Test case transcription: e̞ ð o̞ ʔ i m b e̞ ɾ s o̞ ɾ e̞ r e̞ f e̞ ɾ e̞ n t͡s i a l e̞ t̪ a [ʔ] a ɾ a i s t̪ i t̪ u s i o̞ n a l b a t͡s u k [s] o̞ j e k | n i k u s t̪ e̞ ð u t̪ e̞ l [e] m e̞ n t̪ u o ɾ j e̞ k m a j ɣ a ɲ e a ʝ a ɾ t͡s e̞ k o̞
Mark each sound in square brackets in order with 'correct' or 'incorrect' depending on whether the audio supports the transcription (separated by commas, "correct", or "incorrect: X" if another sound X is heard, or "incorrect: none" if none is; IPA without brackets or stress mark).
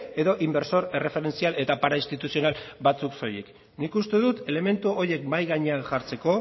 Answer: incorrect: p, correct, correct